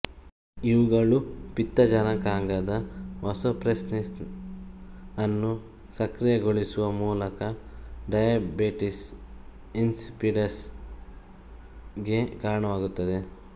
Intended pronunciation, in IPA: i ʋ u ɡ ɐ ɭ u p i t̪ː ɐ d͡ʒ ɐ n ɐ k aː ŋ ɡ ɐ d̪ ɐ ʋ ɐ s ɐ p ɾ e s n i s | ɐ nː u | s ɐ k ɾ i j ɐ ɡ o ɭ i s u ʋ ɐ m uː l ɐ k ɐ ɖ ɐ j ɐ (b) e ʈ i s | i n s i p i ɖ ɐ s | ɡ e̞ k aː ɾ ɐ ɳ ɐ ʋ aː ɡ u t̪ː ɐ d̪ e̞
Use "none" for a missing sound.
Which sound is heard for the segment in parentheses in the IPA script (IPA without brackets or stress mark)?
b